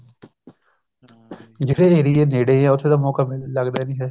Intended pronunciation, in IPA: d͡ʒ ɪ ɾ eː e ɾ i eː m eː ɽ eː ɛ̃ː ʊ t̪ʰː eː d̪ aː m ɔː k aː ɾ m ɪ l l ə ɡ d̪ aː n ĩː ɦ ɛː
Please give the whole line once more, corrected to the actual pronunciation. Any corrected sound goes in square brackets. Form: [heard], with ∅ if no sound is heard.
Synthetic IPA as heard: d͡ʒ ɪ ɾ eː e ɾ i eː [n] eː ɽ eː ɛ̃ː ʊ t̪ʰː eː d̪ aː m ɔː k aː [∅] m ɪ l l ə ɡ d̪ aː n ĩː ɦ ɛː